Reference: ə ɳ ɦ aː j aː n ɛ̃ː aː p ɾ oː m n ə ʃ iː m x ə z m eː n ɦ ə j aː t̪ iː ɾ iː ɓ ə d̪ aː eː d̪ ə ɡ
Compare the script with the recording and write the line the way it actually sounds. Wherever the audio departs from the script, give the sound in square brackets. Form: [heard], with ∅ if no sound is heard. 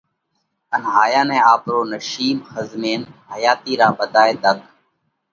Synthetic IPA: ə [n] ɦ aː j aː n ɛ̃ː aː p ɾ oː [∅] n ə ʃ iː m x ə z m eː n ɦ ə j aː t̪ iː ɾ [aː] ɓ ə d̪ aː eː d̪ ə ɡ